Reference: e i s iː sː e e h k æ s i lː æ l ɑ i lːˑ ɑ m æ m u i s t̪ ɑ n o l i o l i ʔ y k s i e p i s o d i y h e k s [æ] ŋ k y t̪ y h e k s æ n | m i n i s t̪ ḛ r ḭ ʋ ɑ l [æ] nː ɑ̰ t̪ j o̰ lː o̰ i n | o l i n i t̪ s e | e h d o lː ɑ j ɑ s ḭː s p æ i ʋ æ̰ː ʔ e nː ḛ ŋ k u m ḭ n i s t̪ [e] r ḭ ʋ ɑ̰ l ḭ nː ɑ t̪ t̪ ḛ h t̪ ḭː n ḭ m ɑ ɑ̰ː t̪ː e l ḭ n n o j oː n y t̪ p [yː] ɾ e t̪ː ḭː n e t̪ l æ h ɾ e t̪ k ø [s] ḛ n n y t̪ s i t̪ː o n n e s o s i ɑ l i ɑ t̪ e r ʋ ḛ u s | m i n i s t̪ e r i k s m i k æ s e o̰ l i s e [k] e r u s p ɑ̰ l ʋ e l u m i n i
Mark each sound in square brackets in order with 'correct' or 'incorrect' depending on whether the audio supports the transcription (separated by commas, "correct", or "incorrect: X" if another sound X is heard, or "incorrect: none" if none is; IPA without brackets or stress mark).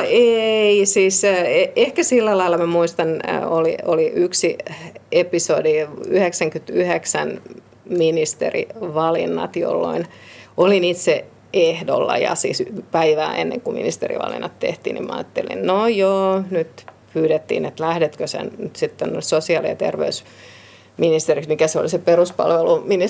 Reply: correct, incorrect: i, correct, correct, correct, incorrect: p